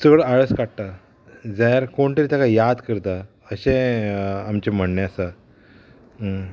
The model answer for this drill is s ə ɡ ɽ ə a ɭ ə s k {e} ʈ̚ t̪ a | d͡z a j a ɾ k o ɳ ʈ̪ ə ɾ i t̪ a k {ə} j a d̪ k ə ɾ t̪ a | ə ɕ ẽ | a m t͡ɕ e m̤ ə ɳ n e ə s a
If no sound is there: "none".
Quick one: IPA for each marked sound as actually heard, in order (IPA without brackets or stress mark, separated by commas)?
a, a